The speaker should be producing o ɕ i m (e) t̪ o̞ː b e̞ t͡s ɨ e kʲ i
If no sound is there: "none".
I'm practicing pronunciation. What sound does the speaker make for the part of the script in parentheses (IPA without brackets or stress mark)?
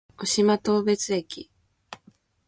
a